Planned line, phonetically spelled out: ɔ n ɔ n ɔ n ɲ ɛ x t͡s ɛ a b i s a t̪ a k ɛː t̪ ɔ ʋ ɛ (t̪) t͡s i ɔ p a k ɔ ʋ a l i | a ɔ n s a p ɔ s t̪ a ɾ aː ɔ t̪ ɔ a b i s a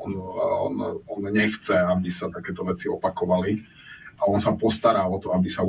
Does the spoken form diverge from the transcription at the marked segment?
yes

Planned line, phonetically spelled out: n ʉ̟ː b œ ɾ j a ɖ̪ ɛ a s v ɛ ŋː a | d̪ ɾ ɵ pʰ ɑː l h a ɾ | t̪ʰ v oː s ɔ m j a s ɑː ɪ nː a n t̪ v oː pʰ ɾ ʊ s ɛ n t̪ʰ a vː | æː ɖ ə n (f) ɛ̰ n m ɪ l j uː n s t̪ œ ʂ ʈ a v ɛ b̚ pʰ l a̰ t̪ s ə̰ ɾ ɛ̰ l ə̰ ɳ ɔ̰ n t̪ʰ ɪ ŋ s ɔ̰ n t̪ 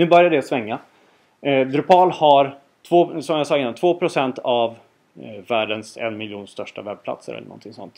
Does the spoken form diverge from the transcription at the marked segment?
yes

